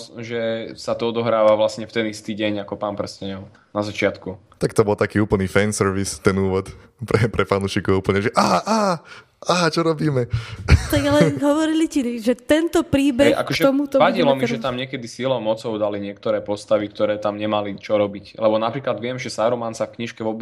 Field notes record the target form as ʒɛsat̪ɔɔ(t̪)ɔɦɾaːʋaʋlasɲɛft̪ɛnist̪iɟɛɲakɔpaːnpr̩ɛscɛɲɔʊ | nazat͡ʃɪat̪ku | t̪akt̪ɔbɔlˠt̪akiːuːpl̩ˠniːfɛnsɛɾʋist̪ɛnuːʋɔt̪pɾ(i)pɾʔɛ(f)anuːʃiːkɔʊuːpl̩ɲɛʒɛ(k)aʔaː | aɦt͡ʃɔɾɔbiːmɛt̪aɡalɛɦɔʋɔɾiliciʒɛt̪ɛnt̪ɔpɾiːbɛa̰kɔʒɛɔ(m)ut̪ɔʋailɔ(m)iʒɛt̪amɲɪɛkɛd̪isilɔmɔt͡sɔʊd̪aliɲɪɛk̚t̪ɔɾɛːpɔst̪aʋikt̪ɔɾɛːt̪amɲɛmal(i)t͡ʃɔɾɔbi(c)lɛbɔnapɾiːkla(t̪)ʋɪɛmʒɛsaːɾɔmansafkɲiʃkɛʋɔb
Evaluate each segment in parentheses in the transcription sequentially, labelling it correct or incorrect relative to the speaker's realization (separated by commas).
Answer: incorrect, incorrect, correct, incorrect, correct, correct, correct, correct, incorrect